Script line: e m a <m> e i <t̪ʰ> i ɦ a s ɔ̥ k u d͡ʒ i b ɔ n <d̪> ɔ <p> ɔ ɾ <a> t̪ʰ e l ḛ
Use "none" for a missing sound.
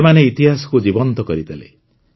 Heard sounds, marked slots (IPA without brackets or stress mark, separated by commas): n, t̪, t̪, k, i